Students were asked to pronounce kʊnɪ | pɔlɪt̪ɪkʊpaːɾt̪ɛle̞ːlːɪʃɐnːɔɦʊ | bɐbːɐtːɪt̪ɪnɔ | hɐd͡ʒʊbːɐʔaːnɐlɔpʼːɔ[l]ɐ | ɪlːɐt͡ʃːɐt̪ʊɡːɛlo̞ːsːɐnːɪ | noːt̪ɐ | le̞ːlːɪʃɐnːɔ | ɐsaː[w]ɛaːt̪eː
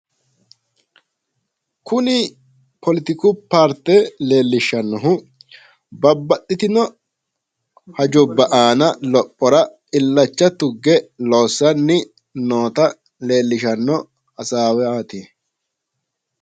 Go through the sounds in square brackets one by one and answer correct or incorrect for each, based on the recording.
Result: incorrect: ɾ, correct

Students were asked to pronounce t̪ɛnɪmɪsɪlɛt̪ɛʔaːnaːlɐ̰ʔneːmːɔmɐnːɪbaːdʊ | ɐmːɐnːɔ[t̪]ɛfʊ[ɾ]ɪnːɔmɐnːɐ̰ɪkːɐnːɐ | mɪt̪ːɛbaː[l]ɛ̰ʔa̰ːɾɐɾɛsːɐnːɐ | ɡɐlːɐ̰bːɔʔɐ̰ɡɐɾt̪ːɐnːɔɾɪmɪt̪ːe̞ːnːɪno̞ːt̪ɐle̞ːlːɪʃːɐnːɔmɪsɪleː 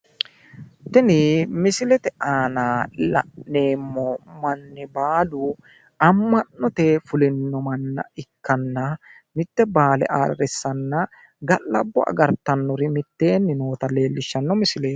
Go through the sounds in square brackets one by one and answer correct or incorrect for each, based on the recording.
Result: correct, incorrect: l, correct

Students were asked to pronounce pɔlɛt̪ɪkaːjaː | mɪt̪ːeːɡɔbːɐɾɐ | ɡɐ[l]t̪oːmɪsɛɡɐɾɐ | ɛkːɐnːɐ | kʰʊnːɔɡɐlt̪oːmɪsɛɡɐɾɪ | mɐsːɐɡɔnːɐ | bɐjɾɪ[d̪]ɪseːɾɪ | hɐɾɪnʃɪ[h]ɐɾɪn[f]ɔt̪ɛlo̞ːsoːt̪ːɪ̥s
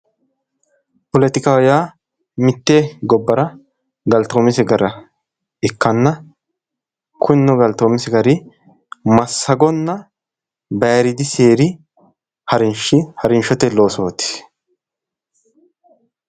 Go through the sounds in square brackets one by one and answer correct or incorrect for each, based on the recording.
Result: correct, correct, correct, incorrect: ʃ

